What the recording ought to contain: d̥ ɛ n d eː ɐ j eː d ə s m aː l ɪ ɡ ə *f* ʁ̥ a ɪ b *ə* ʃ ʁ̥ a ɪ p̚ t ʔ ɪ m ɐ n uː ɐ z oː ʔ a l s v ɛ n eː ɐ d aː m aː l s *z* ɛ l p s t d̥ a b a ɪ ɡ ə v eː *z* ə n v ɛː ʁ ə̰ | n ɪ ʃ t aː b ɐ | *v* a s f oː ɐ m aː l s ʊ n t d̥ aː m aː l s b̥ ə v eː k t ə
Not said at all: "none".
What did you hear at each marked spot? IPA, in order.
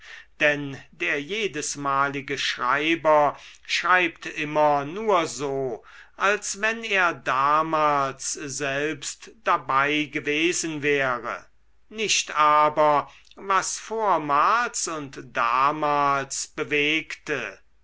ʃ, ɐ, z, z, v

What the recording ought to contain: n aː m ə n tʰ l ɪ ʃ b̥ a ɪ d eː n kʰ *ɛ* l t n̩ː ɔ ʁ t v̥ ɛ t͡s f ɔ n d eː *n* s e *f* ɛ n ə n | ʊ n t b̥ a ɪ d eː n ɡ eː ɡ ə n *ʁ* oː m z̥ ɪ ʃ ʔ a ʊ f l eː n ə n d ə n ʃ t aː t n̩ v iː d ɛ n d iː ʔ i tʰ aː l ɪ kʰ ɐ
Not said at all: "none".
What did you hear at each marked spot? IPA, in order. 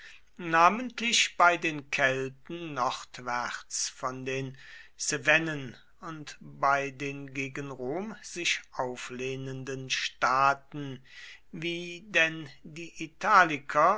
ɛ, n, v, ʁ

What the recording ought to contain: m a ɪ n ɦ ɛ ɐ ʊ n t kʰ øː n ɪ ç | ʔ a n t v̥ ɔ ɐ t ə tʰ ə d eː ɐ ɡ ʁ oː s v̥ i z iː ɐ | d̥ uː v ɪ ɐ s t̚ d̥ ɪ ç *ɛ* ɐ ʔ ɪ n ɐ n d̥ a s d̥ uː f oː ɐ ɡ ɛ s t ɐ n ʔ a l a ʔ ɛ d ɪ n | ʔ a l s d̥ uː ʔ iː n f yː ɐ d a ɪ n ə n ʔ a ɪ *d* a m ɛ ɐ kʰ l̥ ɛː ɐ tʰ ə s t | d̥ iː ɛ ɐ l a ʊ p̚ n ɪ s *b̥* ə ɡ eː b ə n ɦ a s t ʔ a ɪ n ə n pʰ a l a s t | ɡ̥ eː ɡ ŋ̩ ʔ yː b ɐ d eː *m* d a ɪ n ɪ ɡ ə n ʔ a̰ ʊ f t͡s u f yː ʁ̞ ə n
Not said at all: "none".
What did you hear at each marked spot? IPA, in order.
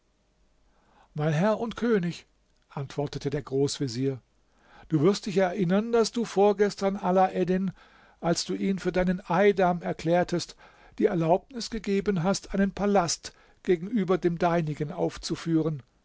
ɛ, d, ɡ̥, m

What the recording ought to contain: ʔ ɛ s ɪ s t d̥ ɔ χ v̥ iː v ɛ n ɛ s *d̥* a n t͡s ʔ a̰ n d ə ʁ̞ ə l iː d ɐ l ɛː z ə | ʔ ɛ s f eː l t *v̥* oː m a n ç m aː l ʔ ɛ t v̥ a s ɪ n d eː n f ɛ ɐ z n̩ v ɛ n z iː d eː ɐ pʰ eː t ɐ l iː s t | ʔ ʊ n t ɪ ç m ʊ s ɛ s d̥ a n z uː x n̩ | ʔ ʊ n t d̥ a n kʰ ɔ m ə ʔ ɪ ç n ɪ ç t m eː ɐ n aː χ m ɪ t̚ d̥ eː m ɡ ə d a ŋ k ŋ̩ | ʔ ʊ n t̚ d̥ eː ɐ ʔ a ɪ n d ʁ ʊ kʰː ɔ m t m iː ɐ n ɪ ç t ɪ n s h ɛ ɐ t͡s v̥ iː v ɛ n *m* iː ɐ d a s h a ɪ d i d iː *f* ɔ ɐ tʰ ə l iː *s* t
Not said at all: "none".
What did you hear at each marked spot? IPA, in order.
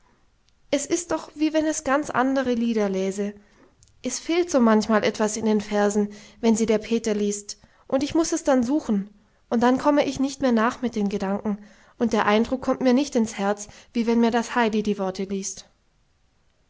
ɡ̥, z̥, m, v, s

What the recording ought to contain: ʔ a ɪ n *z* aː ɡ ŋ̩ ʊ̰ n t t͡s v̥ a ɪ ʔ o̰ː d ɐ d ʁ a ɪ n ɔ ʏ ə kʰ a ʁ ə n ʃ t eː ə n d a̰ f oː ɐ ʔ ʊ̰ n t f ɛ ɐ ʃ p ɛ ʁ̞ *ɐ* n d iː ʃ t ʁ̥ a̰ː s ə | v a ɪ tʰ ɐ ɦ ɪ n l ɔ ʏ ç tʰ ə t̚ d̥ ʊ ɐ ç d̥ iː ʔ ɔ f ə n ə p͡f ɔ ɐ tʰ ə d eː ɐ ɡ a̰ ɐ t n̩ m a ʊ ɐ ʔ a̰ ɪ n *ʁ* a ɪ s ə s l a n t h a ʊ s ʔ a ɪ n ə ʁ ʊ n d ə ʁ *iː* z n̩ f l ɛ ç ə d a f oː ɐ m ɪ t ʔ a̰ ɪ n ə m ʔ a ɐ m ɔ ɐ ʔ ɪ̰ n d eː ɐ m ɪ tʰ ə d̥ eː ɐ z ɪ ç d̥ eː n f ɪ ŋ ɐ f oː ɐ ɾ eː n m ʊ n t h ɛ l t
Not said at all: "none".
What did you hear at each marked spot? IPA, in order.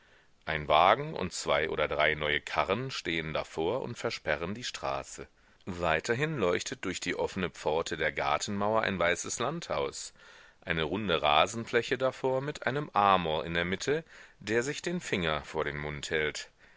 v, ə, v, aː

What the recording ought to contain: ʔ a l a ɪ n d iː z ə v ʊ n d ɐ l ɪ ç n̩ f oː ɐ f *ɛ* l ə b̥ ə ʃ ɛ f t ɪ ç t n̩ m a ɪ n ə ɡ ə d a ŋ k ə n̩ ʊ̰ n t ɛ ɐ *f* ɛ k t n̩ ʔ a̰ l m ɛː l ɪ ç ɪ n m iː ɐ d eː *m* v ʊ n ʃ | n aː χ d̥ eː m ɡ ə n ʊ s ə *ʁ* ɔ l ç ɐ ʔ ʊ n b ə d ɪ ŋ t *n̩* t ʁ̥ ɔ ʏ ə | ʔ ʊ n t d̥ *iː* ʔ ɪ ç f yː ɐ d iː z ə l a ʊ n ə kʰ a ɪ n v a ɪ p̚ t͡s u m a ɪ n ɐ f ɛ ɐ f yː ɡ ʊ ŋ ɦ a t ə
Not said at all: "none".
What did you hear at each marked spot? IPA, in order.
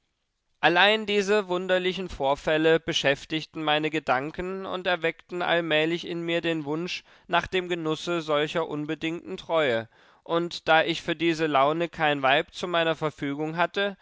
ɛ, v, n, z, n̩, aː

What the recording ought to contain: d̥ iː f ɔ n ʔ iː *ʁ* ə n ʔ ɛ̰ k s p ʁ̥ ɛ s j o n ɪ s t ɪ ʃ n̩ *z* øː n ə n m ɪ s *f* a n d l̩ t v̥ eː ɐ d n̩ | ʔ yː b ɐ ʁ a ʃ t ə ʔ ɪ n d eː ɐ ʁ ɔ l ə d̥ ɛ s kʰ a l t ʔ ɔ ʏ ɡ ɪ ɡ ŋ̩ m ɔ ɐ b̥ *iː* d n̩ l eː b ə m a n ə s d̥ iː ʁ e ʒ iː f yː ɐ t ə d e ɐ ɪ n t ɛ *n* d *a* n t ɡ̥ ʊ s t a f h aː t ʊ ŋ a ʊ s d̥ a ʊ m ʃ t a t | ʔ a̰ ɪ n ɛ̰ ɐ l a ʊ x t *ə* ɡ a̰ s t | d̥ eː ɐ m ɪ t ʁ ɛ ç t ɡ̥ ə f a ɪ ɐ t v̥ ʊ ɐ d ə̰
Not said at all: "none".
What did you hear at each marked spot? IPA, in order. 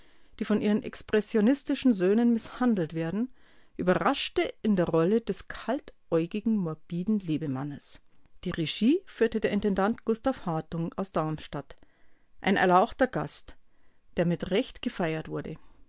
ʁ, z, h, iː, n, a, ɐ

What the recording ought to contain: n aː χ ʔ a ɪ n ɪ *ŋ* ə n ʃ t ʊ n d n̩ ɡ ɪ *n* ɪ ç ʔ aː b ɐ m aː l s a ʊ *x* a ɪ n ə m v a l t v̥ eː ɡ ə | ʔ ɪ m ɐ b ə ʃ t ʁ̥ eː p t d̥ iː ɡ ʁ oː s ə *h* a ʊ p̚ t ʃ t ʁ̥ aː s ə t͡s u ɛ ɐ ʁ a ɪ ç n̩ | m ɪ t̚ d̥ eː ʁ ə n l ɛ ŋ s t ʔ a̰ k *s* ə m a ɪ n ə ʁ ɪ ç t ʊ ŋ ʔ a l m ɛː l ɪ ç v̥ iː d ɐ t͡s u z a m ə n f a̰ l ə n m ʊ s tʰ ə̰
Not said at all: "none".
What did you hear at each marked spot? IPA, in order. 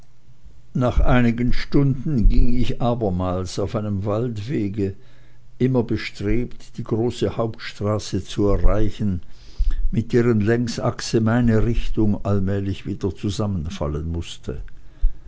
ɡ, ŋ, f, h, s

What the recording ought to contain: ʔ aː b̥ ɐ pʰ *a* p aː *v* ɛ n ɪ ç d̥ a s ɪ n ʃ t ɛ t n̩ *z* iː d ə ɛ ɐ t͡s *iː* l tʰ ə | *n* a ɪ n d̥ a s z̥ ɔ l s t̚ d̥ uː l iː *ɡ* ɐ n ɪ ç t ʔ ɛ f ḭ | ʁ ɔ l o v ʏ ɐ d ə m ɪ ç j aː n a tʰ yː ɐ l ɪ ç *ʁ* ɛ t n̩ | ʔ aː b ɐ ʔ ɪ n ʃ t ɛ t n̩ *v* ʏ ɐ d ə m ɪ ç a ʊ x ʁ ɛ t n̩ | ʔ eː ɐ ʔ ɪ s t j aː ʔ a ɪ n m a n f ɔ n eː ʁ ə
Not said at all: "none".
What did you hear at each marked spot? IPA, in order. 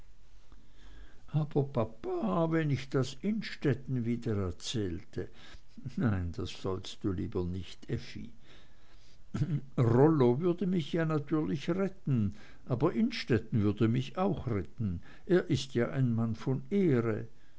a, v, v, ɛː, n, b, ʁ, v

